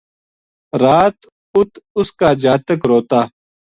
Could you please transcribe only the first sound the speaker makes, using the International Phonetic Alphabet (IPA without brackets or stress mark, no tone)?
ɾ